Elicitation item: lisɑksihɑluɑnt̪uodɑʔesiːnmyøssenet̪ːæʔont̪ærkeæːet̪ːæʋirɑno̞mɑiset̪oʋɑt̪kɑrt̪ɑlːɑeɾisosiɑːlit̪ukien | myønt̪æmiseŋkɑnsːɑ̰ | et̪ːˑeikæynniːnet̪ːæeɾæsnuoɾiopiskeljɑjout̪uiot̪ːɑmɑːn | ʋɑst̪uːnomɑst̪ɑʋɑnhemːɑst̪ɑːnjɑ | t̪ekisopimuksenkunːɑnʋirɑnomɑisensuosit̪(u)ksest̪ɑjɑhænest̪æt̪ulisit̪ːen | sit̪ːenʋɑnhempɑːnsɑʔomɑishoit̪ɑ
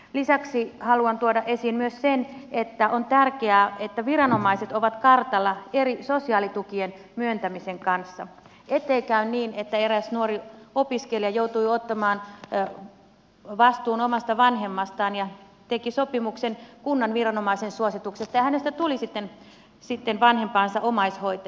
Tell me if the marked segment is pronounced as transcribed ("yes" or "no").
yes